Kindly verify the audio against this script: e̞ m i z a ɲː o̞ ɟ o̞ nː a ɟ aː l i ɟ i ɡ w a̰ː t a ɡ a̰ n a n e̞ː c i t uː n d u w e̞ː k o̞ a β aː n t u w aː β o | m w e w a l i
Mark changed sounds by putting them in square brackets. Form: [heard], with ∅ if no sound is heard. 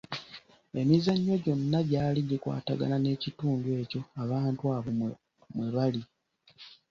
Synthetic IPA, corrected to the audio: e̞ m i z a ɲː o̞ ɟ o̞ nː a ɟ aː l i ɟ i [k] w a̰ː t a ɡ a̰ n a n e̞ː c i t uː n d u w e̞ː [c] o̞ a β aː n t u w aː β o | m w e [β] a l i

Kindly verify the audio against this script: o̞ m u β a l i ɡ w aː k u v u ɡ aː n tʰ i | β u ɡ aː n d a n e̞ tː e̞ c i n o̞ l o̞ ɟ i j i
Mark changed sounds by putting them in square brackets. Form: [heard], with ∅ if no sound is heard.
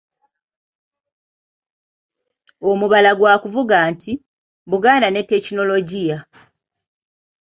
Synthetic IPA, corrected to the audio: o̞ m u β a l [a] ɡ w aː k u v u ɡ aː n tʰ i | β u ɡ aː n d a n e̞ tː e̞ c i n o̞ l o̞ ɟ i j [a]

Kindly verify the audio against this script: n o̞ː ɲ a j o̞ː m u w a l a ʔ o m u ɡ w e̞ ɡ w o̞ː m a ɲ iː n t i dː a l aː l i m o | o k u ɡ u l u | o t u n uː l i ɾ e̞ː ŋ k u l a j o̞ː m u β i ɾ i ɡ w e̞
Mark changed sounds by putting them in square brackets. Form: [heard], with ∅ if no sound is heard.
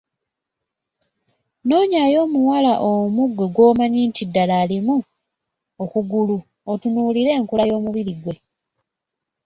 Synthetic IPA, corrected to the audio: n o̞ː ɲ a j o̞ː m u w a l a ʔ o m u ɡ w e̞ ɡ w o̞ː m a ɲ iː n t i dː a l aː l i m [u] | o k u ɡ u l u | o t u n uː l i ɾ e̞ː ŋ k u l a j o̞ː m u β i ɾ i ɡ w e̞

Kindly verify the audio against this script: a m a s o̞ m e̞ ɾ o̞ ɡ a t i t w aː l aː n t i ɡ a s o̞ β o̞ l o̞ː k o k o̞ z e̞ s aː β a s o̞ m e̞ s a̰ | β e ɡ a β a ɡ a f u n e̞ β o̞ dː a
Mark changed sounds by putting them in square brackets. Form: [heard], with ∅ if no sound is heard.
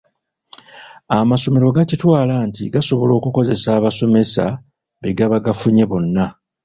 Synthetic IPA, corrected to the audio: a m a s o̞ m e̞ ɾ o̞ ɡ a [c] i t w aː l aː n t i ɡ a s o̞ β o̞ l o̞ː k [u] k o̞ z e̞ s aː β a s o̞ m e̞ s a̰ | β e ɡ a β a ɡ a f u [ɲ] e̞ β o̞ [nː] a

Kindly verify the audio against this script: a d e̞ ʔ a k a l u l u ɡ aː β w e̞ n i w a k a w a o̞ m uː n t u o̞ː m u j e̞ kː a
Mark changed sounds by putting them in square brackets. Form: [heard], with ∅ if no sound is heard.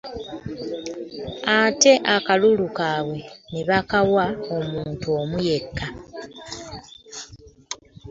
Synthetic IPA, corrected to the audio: a [t] e̞ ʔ a k a l u l u [k] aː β w e̞ n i [β] a k a w a o̞ m uː n t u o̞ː m u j e̞ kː a

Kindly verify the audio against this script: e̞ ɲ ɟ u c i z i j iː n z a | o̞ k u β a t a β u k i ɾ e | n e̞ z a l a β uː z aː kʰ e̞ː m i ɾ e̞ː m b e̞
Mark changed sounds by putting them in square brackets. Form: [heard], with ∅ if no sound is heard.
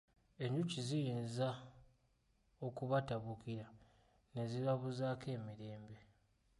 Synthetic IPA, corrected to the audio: e̞ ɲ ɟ u c i z i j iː n z a | o̞ k u β a t a β u k i ɾ [a] | n e̞ z [i] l a β [u] z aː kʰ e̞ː m i ɾ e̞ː m b e̞

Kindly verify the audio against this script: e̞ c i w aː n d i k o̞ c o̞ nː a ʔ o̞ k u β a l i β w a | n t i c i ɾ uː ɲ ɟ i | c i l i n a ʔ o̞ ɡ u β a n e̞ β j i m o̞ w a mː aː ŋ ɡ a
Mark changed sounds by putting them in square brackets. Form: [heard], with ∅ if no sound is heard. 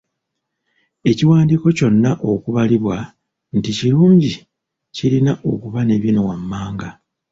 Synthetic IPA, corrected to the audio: e̞ c i w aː n d i k o̞ c o̞ nː a ʔ o̞ k u β a l i β w a | n t i c i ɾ uː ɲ ɟ i | c i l i n a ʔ o̞ [k] u β a n e̞ β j i [n] o̞ w a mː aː ŋ ɡ a

